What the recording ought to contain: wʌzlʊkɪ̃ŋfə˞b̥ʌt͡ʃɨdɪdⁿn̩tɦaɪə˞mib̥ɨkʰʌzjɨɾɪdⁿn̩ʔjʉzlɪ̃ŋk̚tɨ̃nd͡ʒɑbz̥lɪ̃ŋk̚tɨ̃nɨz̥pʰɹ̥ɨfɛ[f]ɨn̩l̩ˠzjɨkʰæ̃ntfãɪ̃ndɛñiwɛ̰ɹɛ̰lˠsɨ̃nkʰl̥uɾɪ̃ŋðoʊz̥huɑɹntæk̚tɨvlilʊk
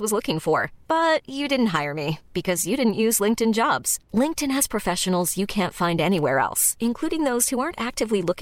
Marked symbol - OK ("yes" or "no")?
no